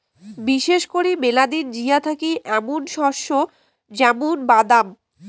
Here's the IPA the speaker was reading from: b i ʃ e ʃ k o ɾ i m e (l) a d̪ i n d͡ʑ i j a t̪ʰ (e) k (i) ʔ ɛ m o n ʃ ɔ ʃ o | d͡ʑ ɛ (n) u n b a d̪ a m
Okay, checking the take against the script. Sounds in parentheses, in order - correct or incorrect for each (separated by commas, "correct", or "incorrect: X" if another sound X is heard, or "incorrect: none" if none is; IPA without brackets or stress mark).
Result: correct, incorrect: a, correct, incorrect: m